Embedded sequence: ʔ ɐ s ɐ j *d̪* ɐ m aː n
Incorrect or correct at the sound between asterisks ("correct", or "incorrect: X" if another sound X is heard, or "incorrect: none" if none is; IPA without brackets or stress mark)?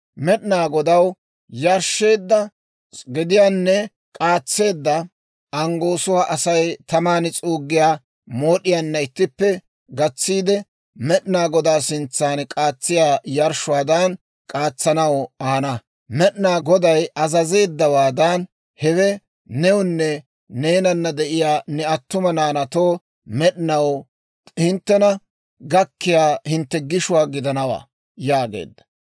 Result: incorrect: t̪